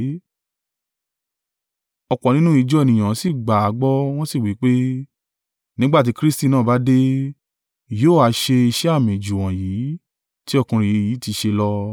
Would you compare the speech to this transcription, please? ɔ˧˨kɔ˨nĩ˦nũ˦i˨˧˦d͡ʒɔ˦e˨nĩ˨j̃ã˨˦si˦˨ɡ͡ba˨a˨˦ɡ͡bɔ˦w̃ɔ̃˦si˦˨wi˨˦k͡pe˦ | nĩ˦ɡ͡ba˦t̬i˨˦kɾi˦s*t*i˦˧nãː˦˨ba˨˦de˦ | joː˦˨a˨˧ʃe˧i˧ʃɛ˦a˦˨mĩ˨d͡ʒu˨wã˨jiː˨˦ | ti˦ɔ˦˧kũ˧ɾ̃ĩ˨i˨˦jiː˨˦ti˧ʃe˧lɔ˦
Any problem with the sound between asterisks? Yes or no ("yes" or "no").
no